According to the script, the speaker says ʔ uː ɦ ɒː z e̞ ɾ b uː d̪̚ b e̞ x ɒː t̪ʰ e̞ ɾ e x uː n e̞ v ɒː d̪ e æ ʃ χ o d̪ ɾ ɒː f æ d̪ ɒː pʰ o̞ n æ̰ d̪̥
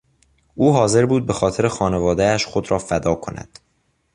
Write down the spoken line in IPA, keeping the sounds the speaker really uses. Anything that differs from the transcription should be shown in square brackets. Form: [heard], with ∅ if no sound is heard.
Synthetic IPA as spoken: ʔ uː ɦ ɒː z e̞ ɾ b uː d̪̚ b e̞ x ɒː t̪ʰ e̞ ɾ e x [ɒː] n e̞ v ɒː d̪ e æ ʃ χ o d̪ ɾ ɒː f æ d̪ ɒː [kʰ] o̞ n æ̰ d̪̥